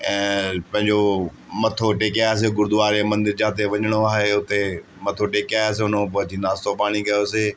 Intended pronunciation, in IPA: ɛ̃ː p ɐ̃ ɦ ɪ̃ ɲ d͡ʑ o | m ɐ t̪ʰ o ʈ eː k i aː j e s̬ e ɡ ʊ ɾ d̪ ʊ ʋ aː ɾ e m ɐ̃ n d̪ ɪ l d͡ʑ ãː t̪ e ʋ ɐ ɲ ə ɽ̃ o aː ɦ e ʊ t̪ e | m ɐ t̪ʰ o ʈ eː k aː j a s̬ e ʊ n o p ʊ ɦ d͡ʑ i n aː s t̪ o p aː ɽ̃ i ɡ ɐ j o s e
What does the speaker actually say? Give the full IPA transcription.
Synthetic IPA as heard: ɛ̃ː p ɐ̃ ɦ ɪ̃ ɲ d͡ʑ o | m ɐ t̪ʰ o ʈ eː k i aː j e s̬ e ɡ ʊ ɾ d̪ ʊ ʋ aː ɾ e m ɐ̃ n d̪ ɪ ɾ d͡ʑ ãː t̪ e ʋ ɐ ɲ ə ɽ̃ o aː ɦ e ʊ t̪ e | m ɐ t̪ʰ o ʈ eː k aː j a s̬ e ʊ n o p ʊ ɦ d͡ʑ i n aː s t̪ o p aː ɽ̃ i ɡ ɐ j o s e